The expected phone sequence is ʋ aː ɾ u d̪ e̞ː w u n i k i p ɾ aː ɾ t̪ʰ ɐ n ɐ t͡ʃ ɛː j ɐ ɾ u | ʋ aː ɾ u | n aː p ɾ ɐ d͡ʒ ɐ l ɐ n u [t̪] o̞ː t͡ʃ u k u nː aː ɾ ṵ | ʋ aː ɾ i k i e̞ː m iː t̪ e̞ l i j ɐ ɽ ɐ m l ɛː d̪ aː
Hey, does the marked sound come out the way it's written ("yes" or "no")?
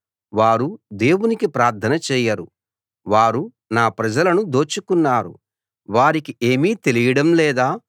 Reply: no